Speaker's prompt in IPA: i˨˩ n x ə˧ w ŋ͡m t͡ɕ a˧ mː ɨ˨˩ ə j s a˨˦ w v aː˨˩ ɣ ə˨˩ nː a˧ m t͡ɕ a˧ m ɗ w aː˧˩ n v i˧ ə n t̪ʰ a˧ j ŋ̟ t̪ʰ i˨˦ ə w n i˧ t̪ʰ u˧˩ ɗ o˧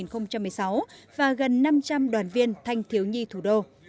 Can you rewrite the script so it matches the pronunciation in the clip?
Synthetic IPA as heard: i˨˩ n x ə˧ w ŋ͡m t͡ɕ a˧ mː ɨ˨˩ ə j s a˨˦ w v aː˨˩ ɣ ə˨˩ nː a˧ m t͡ɕ a˧ m ɗ w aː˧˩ n v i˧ ə n t̪ʰ a˧ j ŋ̟ t̪ʰ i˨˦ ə w ɲ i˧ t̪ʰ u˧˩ ɗ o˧